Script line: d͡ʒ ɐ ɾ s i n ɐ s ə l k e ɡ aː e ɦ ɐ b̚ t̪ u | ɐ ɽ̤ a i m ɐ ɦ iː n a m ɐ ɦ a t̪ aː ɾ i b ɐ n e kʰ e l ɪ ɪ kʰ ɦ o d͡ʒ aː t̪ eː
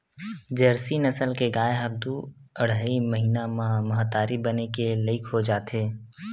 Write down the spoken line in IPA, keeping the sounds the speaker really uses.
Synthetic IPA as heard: d͡ʒ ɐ ɾ s i n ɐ s ə l k e ɡ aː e ɦ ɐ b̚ d̪ u | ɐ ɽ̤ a i m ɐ ɦ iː n a m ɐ ɦ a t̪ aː ɾ i b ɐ n e k e l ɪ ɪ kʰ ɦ o d͡ʒ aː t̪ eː